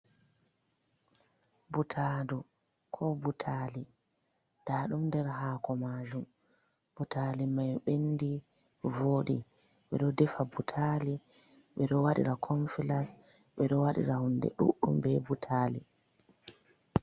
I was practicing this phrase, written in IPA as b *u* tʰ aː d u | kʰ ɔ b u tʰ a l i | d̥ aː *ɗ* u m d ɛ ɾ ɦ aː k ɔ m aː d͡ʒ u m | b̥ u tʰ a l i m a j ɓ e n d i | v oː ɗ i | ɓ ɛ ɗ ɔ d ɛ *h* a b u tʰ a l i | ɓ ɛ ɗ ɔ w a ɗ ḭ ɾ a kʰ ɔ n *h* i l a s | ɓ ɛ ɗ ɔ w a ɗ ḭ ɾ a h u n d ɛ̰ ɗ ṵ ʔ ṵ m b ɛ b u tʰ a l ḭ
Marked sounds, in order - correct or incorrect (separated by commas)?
correct, correct, incorrect, incorrect